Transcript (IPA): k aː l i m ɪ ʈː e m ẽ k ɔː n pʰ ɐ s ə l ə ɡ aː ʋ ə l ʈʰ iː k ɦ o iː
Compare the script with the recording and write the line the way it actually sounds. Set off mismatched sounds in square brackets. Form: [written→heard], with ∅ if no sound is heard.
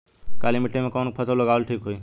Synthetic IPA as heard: k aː l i m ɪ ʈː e m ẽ k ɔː n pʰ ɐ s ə l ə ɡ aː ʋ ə l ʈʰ iː k ɦ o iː